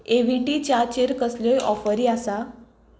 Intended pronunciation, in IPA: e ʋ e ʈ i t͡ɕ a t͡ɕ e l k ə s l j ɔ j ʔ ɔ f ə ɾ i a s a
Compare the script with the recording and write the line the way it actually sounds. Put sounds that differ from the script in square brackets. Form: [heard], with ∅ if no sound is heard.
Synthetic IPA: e ʋ [i] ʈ i t͡ɕ a t͡ɕ e [ɾ] k ə s l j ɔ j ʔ ɔ f ə ɾ i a s a